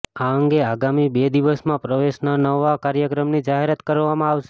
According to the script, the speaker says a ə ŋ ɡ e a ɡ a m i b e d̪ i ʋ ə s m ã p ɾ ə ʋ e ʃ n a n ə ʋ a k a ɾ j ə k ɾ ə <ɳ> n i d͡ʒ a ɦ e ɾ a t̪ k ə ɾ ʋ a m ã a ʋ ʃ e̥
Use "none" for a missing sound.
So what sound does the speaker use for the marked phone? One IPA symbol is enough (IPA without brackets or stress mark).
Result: m